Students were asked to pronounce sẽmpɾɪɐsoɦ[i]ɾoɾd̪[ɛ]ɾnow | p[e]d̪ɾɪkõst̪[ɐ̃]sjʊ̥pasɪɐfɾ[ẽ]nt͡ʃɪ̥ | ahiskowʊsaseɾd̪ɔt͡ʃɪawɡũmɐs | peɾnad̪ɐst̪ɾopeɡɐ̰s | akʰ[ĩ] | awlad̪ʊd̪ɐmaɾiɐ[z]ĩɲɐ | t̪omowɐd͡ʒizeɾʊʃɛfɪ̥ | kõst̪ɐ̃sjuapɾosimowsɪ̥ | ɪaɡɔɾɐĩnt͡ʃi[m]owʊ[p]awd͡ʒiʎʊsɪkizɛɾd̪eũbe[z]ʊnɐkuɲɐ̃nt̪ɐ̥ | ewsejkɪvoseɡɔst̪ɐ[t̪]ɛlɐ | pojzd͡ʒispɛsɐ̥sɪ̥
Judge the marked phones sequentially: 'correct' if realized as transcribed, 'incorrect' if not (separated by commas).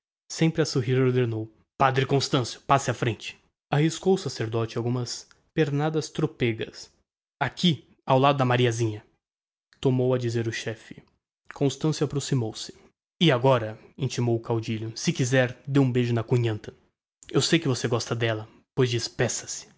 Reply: correct, incorrect, incorrect, correct, correct, incorrect, correct, correct, incorrect, incorrect, incorrect